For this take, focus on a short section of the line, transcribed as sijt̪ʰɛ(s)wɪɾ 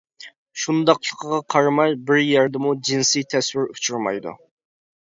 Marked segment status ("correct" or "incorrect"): correct